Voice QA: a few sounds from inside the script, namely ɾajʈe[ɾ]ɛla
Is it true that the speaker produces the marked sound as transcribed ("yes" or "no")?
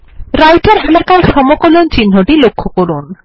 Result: yes